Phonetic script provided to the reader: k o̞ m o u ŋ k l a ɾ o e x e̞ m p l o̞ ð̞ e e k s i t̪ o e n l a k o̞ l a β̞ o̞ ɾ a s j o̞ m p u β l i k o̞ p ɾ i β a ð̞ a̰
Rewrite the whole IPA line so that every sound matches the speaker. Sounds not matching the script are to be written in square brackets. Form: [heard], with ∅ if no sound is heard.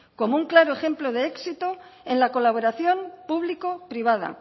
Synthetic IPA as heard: k o̞ m o u ŋ k l a ɾ o e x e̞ m p l o̞ ð̞ e e k s i t̪ o e n l a k o̞ l a β̞ o̞ ɾ a [θ] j o̞ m p u β l i k o̞ p ɾ i β a ð̞ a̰